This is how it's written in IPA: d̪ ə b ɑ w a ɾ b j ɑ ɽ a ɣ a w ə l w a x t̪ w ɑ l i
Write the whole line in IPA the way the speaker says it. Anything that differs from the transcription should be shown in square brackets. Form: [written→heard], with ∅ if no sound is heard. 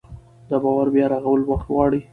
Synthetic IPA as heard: d̪ ə b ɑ w a ɾ b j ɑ [ɽ→ɾ] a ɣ a w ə l w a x t̪ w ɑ [l→ɽ] i